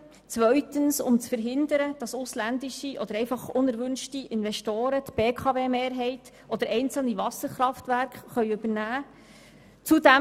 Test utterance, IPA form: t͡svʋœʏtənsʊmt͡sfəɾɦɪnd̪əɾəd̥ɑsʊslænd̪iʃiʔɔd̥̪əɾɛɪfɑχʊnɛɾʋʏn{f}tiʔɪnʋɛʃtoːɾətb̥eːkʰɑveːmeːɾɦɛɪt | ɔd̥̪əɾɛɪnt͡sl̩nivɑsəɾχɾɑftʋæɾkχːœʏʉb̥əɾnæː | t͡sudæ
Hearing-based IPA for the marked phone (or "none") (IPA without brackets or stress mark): ʃ